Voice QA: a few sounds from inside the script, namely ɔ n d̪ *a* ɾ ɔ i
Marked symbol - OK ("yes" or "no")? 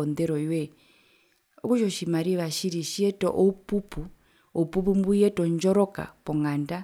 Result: no